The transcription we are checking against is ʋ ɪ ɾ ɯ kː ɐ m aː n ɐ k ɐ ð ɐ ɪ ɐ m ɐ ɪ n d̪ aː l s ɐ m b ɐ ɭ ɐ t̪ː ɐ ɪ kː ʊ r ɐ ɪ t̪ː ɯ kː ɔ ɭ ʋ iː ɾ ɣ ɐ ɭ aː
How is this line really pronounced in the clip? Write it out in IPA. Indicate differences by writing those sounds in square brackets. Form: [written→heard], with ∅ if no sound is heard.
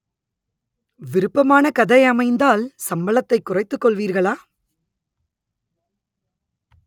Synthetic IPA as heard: ʋ ɪ ɾ ɯ [kː→pː] ɐ m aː n ɐ k ɐ ð ɐ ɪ ɐ m ɐ ɪ n d̪ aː l s ɐ m b ɐ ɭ ɐ t̪ː ɐ ɪ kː ʊ r ɐ ɪ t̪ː ɯ kː ɔ ɭ ʋ iː ɾ ɣ ɐ ɭ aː